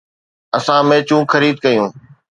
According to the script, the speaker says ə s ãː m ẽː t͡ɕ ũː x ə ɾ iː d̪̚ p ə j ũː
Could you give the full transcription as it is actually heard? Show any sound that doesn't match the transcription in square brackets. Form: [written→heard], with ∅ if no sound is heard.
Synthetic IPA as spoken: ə s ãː m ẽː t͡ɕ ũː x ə ɾ iː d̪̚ [p→k] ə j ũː